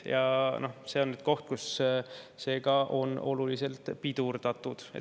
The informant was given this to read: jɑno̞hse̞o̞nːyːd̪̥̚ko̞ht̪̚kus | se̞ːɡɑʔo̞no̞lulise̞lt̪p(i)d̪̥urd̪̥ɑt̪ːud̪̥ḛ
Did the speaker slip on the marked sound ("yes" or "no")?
no